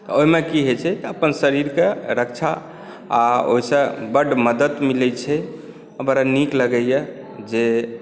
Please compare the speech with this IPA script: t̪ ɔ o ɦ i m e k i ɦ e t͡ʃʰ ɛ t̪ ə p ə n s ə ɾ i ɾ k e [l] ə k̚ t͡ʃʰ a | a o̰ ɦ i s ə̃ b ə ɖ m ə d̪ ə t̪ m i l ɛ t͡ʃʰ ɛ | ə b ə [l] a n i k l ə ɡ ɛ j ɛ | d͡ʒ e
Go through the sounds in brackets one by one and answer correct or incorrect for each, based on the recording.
incorrect: ɾ, incorrect: ɾ

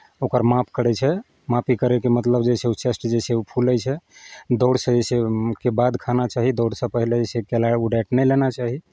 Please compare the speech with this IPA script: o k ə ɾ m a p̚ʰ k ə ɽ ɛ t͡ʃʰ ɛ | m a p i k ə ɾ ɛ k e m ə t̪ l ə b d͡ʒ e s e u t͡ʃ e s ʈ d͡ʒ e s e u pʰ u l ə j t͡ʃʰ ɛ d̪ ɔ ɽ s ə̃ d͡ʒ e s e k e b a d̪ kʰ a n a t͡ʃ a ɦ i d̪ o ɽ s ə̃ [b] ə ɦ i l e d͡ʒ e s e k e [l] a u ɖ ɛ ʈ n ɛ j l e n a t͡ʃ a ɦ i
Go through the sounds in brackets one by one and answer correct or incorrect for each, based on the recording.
incorrect: p, correct

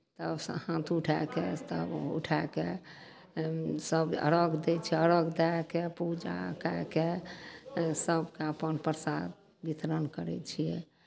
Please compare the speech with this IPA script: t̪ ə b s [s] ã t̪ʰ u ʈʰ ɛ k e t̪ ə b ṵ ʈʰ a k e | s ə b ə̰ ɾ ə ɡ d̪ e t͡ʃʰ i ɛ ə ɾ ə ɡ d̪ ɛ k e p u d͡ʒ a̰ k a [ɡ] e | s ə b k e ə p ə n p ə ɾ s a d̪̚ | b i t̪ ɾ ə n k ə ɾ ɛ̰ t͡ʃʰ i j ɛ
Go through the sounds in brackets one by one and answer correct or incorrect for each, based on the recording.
incorrect: h, incorrect: k

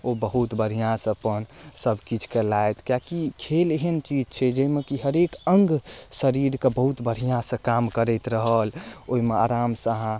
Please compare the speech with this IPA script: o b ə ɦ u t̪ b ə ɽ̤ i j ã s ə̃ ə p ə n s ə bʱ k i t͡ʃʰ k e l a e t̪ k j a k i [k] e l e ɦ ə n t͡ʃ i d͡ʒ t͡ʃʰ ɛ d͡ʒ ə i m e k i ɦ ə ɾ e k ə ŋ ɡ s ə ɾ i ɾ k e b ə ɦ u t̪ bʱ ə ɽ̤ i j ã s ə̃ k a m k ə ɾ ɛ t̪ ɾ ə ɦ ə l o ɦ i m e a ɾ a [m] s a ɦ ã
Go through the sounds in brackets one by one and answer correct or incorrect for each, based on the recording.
incorrect: kʰ, correct

